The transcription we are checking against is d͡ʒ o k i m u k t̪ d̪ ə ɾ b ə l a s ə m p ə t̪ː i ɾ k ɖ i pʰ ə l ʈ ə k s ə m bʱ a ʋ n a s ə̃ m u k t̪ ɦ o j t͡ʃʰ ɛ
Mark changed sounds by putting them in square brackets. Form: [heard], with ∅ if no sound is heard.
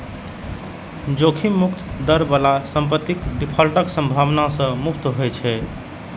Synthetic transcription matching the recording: d͡ʒ o [kʰ] i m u k t̪ d̪ ə ɾ b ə l a s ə m p ə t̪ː i [∅] k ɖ i pʰ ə l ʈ ə k s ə m bʱ a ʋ n a s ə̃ m u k t̪ ɦ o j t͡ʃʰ ɛ